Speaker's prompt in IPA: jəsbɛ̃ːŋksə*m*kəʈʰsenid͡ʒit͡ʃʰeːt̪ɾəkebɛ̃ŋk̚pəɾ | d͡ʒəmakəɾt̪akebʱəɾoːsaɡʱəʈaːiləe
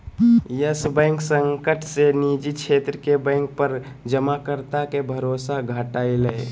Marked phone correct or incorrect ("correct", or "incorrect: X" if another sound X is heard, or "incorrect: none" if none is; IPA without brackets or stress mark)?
incorrect: ŋ